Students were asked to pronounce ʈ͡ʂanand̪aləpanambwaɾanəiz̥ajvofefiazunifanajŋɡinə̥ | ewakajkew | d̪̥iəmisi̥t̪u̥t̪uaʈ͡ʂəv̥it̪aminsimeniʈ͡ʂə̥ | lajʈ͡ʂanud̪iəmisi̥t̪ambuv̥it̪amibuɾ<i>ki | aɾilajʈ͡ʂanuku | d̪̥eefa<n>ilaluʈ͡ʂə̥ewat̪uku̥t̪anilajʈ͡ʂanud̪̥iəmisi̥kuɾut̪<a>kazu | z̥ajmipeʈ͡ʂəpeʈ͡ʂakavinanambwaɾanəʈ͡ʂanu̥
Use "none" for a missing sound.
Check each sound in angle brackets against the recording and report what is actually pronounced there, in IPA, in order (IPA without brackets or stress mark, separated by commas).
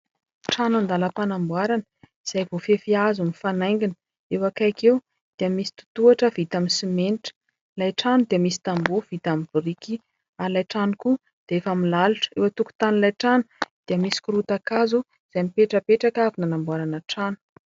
i, m, a